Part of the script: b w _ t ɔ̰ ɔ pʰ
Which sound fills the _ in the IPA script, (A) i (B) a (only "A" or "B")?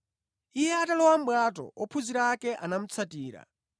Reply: B